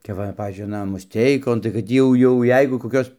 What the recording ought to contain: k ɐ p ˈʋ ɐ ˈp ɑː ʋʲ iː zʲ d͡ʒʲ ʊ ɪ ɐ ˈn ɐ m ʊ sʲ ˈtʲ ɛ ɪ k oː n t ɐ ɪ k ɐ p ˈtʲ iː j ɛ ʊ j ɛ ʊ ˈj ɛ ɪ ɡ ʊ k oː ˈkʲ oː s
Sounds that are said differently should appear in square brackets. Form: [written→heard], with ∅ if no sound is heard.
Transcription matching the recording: k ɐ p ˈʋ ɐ ˈp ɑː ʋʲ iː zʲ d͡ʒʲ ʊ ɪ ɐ ˈn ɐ m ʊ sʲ ˈtʲ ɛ ɪ k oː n t ɐ ɪ k ɐ [p→t] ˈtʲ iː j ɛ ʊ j ɛ ʊ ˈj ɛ ɪ ɡ ʊ k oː ˈkʲ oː s